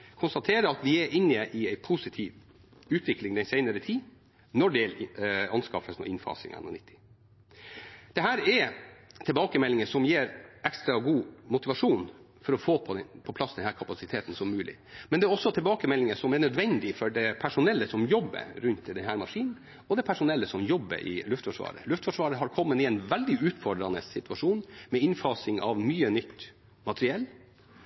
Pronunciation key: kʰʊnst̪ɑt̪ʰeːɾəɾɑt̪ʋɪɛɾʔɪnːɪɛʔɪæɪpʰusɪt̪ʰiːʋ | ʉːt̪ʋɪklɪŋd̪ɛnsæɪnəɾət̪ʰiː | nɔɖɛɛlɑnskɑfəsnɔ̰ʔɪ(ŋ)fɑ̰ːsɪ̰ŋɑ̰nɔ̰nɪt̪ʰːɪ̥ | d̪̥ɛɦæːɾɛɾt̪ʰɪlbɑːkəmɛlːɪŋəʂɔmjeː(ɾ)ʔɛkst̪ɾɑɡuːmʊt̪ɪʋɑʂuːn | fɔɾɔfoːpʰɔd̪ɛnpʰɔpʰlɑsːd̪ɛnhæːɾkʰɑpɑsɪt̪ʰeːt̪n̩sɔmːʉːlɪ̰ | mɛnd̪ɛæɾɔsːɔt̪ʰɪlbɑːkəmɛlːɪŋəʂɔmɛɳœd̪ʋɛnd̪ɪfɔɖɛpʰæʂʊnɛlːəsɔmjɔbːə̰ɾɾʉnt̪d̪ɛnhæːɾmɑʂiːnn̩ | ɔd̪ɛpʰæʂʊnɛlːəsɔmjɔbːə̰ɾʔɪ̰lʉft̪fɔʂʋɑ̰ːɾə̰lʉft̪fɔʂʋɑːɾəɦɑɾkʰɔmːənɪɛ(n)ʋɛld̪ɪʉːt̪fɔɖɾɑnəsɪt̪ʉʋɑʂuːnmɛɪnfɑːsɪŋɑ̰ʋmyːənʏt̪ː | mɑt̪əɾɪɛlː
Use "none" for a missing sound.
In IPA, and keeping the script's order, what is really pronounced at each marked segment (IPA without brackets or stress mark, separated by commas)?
n, ɾ, n